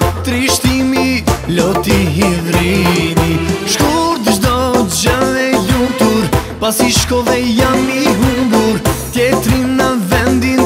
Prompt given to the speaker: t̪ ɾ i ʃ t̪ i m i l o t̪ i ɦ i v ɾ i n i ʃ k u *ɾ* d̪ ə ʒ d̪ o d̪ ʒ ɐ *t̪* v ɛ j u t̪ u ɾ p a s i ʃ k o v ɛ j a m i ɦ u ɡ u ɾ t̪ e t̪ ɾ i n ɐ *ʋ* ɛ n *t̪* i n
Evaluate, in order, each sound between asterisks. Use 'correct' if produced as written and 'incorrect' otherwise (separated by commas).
correct, incorrect, incorrect, incorrect